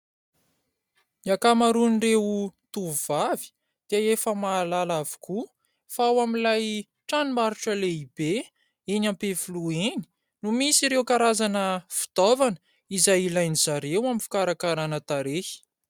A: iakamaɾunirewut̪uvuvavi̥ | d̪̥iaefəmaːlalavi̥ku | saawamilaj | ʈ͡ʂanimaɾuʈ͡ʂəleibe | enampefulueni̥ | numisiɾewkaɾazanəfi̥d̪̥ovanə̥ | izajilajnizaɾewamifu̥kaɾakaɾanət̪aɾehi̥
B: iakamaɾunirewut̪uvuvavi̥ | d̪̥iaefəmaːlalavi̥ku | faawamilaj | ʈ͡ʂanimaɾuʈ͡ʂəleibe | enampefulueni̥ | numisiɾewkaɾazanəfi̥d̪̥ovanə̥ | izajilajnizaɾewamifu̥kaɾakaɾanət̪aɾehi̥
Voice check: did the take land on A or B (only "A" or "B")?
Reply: B